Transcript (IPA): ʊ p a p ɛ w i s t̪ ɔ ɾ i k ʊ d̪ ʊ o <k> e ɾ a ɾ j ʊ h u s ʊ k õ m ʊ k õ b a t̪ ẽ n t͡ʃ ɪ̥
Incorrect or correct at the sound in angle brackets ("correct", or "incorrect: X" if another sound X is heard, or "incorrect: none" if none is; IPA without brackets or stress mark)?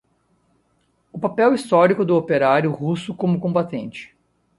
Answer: incorrect: p